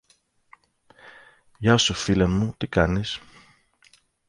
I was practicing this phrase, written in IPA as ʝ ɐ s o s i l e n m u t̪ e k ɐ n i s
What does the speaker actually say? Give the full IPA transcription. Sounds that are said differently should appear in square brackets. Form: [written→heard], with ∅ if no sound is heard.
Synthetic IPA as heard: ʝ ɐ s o [s→f] i l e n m u t̪ [e→i] k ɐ n i s